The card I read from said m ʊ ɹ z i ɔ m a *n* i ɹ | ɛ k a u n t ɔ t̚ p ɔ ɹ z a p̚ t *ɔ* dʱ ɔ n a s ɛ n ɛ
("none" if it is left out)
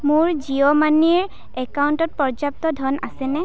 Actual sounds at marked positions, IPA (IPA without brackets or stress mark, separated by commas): n, ɔ